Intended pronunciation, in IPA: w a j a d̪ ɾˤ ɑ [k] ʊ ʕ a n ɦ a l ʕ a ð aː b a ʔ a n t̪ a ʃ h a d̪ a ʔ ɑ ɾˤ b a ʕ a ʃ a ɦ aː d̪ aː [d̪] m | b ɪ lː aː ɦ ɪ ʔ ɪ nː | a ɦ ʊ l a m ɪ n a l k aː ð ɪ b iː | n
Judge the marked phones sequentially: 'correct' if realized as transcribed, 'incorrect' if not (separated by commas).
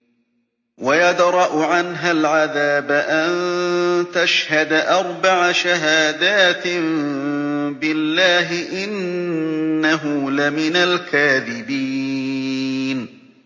incorrect, incorrect